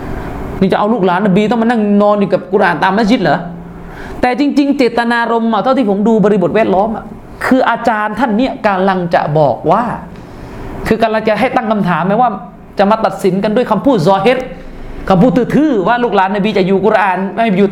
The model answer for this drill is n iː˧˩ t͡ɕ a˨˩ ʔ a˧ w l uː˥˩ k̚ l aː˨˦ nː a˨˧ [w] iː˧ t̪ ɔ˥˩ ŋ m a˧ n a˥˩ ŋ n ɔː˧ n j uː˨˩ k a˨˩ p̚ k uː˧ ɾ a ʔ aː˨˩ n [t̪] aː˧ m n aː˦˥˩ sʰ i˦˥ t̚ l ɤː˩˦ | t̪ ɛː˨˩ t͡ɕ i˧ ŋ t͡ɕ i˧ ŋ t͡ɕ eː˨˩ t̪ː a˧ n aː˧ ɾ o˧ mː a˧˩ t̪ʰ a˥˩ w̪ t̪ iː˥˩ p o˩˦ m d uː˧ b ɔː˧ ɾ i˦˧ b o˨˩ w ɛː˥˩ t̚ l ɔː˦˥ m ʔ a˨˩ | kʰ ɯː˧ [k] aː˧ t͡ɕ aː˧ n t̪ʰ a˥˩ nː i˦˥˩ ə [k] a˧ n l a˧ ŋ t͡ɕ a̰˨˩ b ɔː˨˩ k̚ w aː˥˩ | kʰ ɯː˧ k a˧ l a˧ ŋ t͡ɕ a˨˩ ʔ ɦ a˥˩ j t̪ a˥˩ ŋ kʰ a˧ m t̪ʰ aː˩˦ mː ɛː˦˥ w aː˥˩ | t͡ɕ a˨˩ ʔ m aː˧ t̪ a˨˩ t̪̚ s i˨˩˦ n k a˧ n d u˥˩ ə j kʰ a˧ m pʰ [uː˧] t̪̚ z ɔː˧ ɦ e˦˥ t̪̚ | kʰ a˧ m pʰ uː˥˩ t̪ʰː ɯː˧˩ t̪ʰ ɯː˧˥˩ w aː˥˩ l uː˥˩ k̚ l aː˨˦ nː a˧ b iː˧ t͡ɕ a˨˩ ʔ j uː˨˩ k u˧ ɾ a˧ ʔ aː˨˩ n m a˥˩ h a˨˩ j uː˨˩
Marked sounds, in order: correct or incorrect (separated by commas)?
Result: incorrect, correct, incorrect, correct, incorrect